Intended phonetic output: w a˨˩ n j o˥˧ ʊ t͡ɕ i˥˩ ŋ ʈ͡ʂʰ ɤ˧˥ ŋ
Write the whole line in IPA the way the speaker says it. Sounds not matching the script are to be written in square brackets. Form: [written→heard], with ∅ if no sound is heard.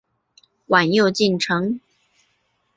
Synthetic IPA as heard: w a˨˩ n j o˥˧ ʊ t͡ɕ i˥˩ [ŋ→n] ʈ͡ʂʰ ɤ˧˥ ŋ

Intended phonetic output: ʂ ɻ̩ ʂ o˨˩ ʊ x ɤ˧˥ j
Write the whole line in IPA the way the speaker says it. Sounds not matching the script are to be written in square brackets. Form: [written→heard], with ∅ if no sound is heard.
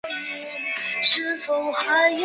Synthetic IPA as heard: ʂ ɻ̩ [ʂ→f] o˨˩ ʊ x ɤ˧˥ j

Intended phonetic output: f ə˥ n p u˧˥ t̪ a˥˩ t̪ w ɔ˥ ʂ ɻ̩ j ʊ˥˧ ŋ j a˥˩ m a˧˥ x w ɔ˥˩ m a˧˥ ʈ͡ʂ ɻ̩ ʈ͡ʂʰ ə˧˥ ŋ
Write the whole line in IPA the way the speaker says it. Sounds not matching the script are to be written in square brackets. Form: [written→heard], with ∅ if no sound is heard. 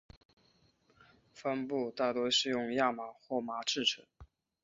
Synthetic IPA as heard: f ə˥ n p [u˧˥→u˥˧] t̪ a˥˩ t̪ w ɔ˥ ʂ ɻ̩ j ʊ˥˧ ŋ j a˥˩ m [a˧˥→a˨˩] x w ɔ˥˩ m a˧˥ ʈ͡ʂ ɻ̩ ʈ͡ʂʰ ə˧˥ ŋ

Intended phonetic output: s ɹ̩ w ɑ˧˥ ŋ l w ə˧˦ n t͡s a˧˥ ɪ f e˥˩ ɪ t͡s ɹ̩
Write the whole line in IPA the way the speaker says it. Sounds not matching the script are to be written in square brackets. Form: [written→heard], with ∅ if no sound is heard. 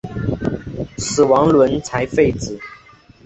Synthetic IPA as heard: s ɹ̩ w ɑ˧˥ ŋ l w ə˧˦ n [t͡s→t͡sʰ] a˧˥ ɪ f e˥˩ ɪ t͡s ɹ̩

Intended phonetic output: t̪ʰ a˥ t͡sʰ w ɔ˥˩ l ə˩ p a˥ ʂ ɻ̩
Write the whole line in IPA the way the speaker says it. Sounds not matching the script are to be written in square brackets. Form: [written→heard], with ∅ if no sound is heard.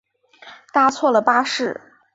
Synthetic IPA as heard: [t̪ʰ→t̪] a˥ t͡sʰ w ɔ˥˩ l ə˩ p a˥ ʂ ɻ̩

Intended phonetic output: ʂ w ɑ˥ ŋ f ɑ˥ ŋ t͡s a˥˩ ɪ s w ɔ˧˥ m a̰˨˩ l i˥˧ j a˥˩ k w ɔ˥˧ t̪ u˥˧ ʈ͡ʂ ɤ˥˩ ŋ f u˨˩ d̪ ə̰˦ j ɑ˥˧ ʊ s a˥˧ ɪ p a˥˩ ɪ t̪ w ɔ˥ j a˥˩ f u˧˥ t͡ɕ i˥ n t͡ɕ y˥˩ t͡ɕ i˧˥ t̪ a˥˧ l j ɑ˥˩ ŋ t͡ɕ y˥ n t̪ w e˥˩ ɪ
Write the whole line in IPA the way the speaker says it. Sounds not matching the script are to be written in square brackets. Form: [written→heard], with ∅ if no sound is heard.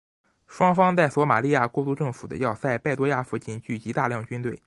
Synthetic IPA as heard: ʂ w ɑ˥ ŋ f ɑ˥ ŋ t͡s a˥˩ ɪ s w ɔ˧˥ m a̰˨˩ l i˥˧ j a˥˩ k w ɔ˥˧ t̪ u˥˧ ʈ͡ʂ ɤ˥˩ ŋ f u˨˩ d̪ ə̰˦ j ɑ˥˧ ʊ s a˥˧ ɪ p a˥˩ ɪ t̪ w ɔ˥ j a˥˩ f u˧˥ t͡ɕ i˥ n t͡ɕ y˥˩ t͡ɕ i˧˥ t̪ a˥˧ l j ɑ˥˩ ŋ t͡ɕ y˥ n t̪ w e˥˩ ɪ

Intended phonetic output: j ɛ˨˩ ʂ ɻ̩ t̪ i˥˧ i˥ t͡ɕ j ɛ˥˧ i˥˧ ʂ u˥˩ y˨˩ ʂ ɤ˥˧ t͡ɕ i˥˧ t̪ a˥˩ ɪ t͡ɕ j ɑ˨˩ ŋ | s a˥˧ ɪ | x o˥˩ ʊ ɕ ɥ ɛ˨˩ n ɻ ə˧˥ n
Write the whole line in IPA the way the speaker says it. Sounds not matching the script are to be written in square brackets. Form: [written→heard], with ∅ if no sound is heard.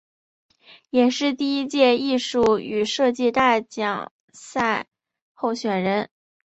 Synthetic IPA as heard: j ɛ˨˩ ʂ ɻ̩ t̪ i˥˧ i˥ t͡ɕ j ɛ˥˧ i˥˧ ʂ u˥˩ y˨˩ ʂ ɤ˥˧ t͡ɕ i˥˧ t̪ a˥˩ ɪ t͡ɕ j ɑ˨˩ ŋ | s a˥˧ ɪ | x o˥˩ ʊ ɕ ɥ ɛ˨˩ n ɻ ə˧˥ n

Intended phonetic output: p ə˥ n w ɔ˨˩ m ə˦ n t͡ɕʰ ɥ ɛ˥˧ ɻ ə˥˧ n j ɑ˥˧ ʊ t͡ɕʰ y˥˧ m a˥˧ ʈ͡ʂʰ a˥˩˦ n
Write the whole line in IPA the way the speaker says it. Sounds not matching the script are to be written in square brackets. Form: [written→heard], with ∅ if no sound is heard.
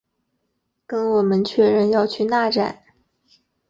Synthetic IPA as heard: [p→k] ə˥ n w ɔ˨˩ m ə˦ n t͡ɕʰ ɥ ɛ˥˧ ɻ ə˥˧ n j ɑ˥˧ ʊ t͡ɕʰ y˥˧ [m→n] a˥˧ [ʈ͡ʂʰ→ʈ͡ʂ] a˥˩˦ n

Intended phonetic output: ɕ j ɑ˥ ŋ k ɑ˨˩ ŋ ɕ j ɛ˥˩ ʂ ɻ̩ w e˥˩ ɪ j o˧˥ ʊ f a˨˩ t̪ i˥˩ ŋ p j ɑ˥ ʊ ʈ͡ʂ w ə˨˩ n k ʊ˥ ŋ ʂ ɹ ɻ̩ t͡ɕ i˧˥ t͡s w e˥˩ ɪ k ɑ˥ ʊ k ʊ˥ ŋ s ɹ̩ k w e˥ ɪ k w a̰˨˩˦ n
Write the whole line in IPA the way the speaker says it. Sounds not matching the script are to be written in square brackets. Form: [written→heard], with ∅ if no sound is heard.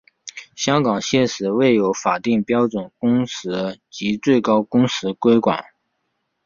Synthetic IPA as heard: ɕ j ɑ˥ ŋ k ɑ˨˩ ŋ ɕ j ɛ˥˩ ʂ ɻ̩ w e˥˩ ɪ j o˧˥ ʊ f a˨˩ t̪ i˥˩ ŋ p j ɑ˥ ʊ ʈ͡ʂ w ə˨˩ n k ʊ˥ ŋ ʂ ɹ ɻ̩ t͡ɕ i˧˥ t͡s w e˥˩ ɪ k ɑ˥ ʊ k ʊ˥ ŋ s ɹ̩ k w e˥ ɪ k w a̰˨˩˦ n

